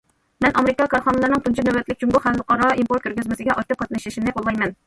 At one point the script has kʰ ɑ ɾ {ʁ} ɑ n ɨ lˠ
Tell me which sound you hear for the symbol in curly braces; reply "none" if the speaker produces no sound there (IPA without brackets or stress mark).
χ